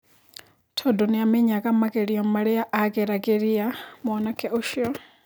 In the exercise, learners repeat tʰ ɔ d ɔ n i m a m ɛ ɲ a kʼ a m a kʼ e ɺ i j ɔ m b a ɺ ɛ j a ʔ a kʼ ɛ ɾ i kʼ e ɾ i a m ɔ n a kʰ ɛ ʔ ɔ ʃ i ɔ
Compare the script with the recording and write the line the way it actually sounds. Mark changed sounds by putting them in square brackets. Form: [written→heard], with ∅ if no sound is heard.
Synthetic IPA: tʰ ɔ d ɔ n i [m→∅] a m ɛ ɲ a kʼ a m a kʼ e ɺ i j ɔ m [b→m] a ɺ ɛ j a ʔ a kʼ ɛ ɾ [i→a] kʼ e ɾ i a m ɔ n a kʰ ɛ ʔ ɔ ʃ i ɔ